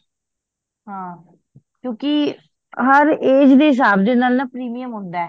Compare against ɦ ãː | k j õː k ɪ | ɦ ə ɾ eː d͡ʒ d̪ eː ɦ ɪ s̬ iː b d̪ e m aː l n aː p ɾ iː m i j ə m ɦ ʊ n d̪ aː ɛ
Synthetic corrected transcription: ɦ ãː | k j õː k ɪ | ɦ ə ɾ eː d͡ʒ d̪ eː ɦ ɪ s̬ aː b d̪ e n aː l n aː p ɾ iː m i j ə m ɦ ʊ n d̪ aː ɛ